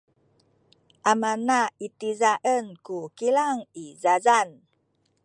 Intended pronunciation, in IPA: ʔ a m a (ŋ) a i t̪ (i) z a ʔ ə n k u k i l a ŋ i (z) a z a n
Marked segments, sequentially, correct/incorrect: incorrect: n, correct, correct

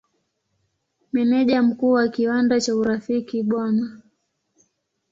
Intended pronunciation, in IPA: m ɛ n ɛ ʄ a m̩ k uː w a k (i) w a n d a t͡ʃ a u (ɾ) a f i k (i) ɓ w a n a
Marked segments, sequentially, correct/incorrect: correct, correct, correct

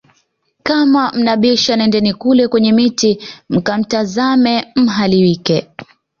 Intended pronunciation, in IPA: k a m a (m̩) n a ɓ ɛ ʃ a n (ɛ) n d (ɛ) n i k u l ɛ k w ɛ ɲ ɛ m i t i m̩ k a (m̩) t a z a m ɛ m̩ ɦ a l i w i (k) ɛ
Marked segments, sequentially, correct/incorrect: correct, correct, correct, correct, correct

